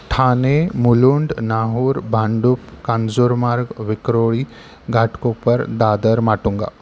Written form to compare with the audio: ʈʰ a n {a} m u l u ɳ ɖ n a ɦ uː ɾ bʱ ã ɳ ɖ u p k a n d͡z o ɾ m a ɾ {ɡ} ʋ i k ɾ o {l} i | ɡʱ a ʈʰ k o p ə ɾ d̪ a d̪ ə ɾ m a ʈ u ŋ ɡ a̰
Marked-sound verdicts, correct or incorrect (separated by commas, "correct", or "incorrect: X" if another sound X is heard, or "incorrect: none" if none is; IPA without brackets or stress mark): incorrect: e, correct, incorrect: ɭ